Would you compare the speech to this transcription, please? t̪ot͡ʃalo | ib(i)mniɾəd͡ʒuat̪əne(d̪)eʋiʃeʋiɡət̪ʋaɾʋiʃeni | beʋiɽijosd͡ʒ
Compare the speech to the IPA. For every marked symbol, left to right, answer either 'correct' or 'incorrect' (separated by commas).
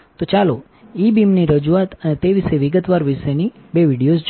correct, incorrect